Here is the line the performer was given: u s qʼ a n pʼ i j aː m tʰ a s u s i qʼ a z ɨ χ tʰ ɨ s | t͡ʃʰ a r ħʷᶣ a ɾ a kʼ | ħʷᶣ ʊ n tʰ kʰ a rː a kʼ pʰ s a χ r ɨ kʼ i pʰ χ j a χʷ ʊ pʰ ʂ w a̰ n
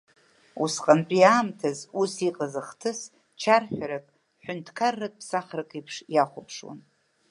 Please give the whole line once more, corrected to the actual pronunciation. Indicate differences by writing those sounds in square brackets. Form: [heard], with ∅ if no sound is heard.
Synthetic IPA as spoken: u s qʼ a n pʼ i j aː m tʰ a [z] u s i qʼ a z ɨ χ tʰ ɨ s | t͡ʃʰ a r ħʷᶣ a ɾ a kʼ | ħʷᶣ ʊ n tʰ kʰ a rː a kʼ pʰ s a χ r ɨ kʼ i pʰ [ʂ] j a χʷ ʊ pʰ ʂ w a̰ n